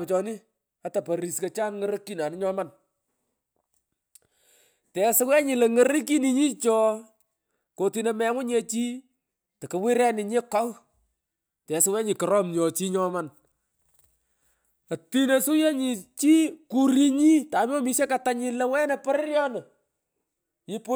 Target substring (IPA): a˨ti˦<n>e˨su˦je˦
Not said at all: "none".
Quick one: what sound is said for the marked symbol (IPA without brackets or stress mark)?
n